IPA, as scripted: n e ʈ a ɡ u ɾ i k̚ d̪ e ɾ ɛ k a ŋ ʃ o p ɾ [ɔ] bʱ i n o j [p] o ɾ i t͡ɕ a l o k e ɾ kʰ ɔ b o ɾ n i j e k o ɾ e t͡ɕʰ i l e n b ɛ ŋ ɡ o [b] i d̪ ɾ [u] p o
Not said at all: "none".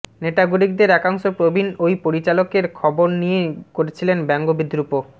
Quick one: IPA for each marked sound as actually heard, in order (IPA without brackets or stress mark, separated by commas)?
o, p, b, u